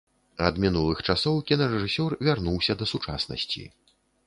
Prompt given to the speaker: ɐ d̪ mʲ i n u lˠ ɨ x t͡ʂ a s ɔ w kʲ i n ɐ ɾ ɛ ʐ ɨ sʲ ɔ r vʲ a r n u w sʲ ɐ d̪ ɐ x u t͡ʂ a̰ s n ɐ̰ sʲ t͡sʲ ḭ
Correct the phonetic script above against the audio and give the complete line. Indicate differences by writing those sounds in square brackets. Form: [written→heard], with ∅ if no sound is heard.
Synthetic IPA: ɐ d̪ mʲ i n u lˠ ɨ x t͡ʂ a s ɔ w kʲ i n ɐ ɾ ɛ ʐ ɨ sʲ ɔ r vʲ a r n u w sʲ ɐ d̪ ɐ [x→s] u t͡ʂ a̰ s n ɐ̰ sʲ t͡sʲ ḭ